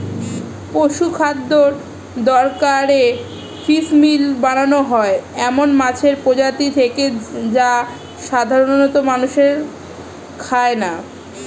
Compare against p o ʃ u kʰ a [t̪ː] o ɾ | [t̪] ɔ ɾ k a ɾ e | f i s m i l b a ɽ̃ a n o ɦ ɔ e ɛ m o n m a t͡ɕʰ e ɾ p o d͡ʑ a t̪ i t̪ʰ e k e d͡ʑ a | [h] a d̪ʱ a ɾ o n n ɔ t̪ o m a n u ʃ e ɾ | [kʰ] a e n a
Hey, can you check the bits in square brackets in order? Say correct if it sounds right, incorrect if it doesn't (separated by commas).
incorrect, incorrect, incorrect, correct